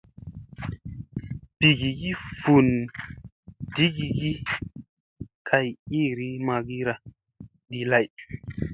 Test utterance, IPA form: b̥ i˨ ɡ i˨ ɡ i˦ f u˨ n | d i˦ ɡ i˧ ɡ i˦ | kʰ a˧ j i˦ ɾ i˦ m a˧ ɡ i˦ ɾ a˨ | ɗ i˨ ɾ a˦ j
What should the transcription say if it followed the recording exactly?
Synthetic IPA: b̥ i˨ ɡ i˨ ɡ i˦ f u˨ n | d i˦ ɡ i˧ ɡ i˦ | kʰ a˧ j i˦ ɾ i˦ m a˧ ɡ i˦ ɾ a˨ | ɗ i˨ l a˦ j